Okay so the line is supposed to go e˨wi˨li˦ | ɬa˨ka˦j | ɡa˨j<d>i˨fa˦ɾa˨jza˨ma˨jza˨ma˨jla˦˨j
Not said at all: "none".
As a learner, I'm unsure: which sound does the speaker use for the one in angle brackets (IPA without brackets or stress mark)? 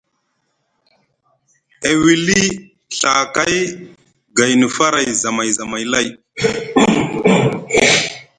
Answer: n